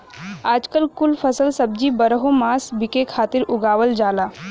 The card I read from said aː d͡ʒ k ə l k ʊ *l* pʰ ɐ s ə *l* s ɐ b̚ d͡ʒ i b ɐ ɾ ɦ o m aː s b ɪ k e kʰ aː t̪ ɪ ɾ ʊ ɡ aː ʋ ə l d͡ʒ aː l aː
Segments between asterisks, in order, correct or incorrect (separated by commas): correct, correct